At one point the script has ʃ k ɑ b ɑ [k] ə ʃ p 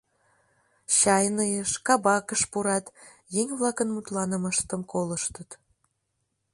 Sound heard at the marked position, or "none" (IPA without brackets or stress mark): k